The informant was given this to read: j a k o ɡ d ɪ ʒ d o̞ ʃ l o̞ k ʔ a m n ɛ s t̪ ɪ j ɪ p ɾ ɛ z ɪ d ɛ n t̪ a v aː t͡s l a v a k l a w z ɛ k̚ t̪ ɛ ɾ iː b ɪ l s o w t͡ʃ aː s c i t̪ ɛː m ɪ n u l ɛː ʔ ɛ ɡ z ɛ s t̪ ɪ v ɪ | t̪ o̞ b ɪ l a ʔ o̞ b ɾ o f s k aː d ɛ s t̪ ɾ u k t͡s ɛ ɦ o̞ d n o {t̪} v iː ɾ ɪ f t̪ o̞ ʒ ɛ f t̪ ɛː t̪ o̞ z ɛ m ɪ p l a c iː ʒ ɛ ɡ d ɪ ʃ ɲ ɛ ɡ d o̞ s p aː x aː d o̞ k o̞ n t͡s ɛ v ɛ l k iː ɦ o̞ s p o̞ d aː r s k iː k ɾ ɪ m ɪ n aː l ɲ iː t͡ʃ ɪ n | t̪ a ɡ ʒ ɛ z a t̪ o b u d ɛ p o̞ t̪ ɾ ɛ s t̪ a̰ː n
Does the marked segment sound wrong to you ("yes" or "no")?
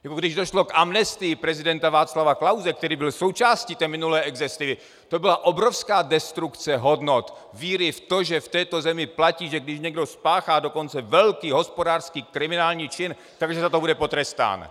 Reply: no